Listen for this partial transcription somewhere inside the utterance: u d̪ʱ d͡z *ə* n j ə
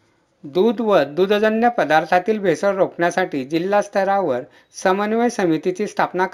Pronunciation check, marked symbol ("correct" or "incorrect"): correct